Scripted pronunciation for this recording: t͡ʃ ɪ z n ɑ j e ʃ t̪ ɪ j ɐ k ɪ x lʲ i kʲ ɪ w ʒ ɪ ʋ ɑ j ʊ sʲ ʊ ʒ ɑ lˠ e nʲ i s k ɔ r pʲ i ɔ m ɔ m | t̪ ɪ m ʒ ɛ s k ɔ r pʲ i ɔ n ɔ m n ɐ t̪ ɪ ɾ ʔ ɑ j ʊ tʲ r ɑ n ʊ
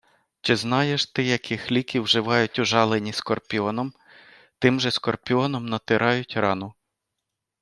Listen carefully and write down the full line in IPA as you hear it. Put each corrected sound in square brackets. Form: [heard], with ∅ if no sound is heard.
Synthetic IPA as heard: t͡ʃ ɪ z n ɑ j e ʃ t̪ ɪ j ɐ k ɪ x lʲ i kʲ [i] w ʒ ɪ ʋ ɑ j ʊ [tʲ] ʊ ʒ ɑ lˠ e nʲ i s k ɔ r pʲ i ɔ [n] ɔ m | t̪ ɪ m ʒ ɛ s k ɔ r pʲ i ɔ n ɔ m n ɐ t̪ ɪ ɾ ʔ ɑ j ʊ tʲ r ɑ n ʊ